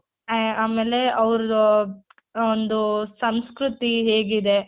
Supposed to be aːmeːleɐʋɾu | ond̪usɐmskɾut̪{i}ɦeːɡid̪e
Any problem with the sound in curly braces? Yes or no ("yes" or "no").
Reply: no